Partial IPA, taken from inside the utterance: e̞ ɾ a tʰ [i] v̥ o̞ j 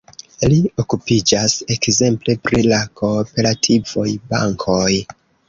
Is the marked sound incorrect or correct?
correct